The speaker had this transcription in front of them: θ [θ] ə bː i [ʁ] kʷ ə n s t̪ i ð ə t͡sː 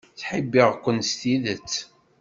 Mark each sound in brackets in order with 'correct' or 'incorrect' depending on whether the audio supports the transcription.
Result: incorrect: ħ, correct

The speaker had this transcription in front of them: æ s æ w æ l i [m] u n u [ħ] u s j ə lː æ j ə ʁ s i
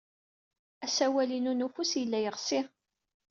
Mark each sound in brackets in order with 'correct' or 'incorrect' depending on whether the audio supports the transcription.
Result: incorrect: n, incorrect: f

